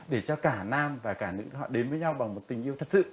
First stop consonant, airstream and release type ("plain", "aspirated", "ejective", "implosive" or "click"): implosive